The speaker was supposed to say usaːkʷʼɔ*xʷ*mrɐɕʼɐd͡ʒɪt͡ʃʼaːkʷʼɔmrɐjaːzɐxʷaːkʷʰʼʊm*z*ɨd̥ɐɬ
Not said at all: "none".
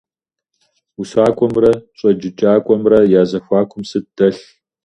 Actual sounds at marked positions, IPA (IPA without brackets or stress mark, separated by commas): none, s